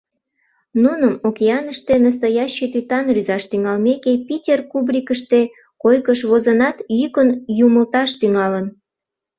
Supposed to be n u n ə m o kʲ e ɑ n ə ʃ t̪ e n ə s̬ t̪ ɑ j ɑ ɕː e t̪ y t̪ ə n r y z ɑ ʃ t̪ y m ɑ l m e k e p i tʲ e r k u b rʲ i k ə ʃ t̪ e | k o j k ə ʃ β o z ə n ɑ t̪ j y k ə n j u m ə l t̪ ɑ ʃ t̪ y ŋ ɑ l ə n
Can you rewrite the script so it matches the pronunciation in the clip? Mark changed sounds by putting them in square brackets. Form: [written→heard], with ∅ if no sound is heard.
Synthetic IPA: n u n ə m o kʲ e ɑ n ə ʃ t̪ e n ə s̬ t̪ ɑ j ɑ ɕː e t̪ y t̪ [ə→ɑ] n r y z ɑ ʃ t̪ y [m→ŋ] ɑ l m e k e p i tʲ e r k u b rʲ i k ə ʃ t̪ e | k o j k ə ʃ β o z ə n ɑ t̪ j y k ə n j u m ə l t̪ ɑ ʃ t̪ y ŋ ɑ l ə n